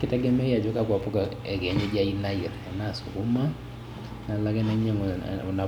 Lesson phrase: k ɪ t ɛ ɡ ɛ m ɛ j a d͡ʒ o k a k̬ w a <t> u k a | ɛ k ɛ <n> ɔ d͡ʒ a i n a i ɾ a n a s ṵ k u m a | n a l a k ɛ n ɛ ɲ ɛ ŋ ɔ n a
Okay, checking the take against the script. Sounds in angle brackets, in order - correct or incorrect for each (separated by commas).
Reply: incorrect, incorrect